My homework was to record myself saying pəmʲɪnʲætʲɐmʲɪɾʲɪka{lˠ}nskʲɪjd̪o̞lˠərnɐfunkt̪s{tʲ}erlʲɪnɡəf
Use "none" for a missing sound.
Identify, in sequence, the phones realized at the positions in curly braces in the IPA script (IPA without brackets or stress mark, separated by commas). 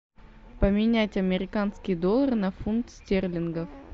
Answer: none, tʲ